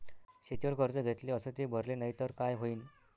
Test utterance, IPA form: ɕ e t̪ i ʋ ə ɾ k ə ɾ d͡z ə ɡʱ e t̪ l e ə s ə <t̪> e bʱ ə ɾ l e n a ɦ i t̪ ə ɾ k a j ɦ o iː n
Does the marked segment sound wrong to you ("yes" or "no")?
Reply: no